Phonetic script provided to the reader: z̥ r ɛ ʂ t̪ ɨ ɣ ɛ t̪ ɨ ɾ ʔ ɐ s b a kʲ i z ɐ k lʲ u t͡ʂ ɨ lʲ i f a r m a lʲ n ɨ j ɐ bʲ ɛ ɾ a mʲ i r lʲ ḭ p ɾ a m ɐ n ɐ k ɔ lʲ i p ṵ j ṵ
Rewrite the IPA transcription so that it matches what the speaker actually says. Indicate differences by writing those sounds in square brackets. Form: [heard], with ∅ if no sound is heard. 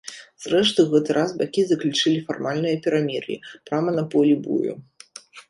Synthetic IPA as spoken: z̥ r ɛ ʂ t̪ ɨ ɣ ɛ t̪ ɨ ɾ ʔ [a] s b a kʲ i z ɐ k lʲ u t͡ʂ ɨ lʲ i f a r m a lʲ n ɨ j ɐ [pʲ] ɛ ɾ a mʲ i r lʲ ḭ p ɾ a m ɐ n ɐ [p] ɔ lʲ i [b] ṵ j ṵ